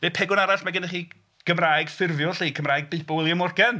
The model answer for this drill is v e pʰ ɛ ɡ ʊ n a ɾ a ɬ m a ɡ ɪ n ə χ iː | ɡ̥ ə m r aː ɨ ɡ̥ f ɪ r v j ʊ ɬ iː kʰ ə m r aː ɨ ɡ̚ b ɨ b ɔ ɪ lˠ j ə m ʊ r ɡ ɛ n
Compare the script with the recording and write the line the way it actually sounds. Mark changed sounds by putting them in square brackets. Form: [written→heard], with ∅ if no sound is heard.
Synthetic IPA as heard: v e pʰ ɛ ɡ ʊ n a ɾ a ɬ m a ɡ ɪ n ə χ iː | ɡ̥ ə m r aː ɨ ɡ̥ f ɪ r v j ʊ ɬ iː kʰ ə m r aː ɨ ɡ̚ b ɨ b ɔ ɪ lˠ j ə m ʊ r ɡ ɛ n